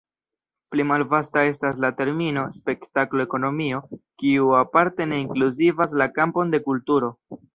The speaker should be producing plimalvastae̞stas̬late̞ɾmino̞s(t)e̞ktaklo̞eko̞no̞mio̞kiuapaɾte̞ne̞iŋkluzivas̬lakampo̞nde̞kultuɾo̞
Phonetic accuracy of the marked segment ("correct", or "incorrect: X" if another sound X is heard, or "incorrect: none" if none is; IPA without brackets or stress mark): incorrect: p